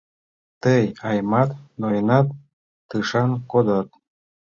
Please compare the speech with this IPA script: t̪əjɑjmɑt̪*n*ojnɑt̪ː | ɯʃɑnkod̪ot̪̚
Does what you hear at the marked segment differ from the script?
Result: no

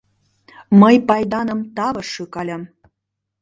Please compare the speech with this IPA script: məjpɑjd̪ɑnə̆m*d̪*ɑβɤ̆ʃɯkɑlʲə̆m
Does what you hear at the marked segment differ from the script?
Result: yes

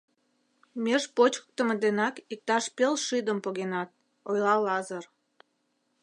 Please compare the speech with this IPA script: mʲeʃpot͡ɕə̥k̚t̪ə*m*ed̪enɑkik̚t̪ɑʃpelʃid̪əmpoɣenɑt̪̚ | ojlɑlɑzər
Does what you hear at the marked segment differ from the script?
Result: no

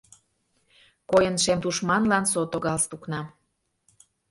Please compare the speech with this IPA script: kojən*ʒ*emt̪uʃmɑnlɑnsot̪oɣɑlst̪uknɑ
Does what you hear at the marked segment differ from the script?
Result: yes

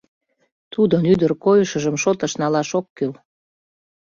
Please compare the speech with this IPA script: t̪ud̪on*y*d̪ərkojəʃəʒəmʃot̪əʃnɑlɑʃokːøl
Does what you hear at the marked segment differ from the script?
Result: no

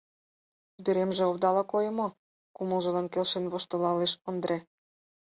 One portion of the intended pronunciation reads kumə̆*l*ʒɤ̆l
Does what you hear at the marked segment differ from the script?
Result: no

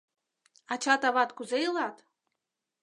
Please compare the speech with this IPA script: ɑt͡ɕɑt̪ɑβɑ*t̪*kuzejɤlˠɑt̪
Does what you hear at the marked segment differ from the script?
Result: no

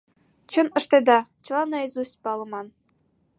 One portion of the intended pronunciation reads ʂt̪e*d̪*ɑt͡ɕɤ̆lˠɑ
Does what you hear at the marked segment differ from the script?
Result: no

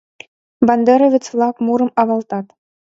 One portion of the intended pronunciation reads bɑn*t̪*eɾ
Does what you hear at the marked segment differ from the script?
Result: yes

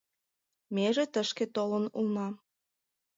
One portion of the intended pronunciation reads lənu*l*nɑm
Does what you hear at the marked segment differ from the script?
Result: no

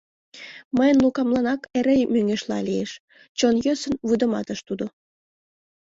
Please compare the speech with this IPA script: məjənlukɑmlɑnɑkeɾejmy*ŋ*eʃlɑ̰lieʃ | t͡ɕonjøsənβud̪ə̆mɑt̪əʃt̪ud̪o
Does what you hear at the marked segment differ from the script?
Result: no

